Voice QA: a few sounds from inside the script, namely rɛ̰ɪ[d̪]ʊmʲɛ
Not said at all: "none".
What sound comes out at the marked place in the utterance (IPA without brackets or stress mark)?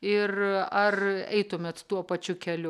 t̪